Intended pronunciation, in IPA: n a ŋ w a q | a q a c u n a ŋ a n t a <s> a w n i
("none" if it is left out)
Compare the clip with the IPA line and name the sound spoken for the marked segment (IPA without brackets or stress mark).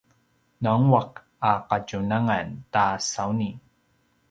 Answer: s